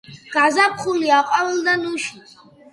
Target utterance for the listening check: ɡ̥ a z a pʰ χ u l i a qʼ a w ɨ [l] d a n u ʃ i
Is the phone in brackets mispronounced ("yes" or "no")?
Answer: no